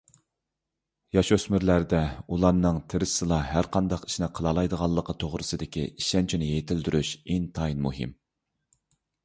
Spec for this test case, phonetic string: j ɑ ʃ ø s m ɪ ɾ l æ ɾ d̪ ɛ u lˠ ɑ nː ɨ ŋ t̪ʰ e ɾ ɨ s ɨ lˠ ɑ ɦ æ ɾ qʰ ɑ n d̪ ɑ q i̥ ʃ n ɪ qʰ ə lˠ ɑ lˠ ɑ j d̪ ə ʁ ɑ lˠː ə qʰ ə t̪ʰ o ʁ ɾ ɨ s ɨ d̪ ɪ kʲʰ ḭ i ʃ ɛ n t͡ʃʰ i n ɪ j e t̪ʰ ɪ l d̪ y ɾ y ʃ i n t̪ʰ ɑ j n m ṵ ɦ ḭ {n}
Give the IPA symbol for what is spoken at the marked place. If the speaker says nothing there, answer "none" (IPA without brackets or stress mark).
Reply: m